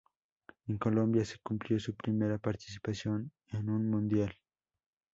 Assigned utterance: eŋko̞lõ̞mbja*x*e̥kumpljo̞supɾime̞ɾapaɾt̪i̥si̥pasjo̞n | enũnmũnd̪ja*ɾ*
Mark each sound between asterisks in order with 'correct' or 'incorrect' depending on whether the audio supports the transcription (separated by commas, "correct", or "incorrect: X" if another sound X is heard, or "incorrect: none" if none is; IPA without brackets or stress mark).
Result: incorrect: s, incorrect: l